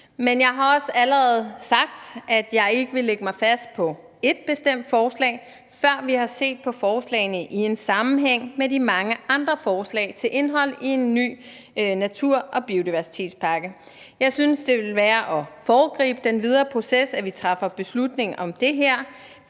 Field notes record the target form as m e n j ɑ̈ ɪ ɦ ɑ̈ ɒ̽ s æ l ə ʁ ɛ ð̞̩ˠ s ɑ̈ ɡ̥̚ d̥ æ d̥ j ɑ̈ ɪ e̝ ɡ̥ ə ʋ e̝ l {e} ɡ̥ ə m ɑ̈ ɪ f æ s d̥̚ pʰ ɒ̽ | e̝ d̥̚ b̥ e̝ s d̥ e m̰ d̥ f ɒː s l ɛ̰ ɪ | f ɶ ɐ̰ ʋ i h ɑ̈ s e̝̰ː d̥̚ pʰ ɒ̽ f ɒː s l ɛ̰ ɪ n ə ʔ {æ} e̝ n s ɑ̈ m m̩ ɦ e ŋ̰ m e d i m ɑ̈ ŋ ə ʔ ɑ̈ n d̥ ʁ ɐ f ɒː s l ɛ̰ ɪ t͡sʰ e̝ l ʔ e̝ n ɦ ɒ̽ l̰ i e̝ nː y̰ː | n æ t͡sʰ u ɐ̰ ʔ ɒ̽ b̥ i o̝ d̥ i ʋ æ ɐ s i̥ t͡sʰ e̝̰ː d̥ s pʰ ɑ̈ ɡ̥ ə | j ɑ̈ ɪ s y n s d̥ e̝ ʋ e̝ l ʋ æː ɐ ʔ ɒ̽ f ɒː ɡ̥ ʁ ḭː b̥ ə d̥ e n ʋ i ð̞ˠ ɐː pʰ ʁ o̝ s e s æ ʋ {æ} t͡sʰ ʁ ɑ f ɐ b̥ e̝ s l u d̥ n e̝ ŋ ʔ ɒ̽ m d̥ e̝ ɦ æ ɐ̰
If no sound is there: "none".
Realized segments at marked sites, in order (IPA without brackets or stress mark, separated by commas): e, i, i